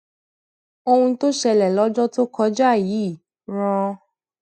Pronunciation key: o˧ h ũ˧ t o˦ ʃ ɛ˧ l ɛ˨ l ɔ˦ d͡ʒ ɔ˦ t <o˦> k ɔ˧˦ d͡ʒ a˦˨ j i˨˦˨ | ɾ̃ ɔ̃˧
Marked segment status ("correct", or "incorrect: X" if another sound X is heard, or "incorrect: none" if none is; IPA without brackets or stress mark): correct